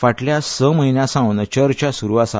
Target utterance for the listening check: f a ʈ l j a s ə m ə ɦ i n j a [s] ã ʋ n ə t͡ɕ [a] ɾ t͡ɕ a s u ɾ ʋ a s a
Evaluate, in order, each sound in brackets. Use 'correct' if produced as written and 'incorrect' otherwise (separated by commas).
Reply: correct, incorrect